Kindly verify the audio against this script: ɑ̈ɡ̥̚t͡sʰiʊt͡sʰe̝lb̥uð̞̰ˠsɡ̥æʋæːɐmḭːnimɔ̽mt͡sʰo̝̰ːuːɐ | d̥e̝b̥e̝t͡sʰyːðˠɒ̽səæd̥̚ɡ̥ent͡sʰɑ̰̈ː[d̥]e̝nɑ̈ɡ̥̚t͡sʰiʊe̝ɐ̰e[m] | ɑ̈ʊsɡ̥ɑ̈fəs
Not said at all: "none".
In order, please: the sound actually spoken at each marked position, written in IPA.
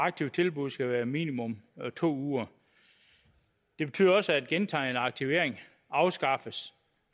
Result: none, ŋ

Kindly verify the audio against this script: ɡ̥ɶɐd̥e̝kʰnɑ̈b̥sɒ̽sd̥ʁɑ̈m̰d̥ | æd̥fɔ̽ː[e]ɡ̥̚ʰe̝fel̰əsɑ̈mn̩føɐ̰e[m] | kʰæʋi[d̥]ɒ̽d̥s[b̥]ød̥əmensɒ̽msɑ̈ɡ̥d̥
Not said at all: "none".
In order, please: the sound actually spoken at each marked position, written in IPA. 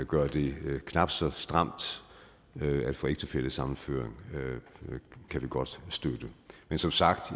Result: e, ŋ, ɡ̥, d̥

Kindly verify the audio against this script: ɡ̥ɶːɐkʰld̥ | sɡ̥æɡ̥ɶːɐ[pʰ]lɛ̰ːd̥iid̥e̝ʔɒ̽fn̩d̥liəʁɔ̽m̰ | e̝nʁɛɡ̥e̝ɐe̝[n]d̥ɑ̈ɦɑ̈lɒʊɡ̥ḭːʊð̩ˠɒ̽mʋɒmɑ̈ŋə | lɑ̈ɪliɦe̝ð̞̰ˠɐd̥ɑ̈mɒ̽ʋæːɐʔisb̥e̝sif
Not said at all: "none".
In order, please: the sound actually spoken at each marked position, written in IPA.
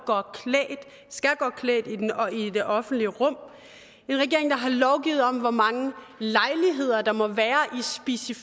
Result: kʰ, ŋ

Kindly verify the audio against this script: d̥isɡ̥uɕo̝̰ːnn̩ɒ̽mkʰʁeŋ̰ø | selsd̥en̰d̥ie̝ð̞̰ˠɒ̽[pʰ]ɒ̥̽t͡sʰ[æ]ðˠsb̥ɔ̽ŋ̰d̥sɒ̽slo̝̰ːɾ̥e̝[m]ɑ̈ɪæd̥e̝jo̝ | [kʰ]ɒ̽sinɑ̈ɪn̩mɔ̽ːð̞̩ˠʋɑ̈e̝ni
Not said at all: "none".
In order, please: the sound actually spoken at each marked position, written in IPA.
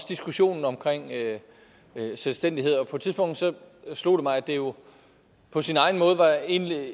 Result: pʰ, i, m, pʰ

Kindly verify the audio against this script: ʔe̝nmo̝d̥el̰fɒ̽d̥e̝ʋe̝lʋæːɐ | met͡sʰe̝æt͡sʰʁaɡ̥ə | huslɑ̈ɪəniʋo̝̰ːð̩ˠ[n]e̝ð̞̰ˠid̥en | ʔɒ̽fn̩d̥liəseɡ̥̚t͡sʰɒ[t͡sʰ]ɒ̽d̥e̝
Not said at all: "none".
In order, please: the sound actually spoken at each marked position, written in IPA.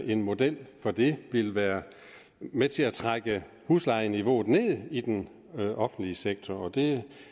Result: n, none

